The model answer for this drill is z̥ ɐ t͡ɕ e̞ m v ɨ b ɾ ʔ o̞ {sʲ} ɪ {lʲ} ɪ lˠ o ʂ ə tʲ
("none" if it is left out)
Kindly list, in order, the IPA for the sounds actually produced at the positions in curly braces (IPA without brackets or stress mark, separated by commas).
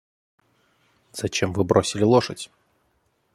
sʲ, lʲ